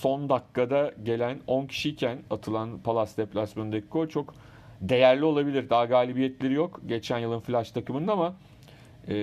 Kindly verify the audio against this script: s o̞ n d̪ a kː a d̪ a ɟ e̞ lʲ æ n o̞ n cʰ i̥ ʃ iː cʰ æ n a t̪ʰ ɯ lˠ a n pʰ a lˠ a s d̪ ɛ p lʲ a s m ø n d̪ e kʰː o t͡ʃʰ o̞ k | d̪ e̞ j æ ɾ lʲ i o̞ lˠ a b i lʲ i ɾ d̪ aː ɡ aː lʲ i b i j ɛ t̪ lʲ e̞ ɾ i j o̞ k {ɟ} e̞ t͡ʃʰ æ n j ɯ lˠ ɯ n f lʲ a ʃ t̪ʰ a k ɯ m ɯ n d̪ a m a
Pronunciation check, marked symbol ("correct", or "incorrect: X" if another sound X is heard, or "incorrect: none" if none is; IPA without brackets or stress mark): correct